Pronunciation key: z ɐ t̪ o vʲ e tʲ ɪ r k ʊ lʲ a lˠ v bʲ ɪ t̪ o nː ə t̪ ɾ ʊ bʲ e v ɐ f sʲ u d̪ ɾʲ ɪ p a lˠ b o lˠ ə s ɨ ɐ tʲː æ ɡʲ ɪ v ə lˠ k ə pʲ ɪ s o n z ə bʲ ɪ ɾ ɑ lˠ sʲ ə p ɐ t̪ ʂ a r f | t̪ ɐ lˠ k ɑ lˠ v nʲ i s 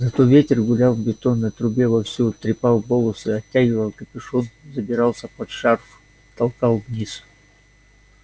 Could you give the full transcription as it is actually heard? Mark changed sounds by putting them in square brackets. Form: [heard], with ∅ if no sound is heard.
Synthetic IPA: z ɐ t̪ o vʲ e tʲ ɪ r [ɡ] ʊ lʲ a lˠ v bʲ ɪ t̪ o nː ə t̪ ɾ ʊ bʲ e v ɐ f sʲ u [t̪] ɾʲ ɪ p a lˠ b o lˠ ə s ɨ ɐ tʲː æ ɡʲ ɪ v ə lˠ k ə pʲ ɪ [ʂ] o n z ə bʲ ɪ ɾ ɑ lˠ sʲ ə p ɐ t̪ ʂ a r f | t̪ ɐ lˠ k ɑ lˠ v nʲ i s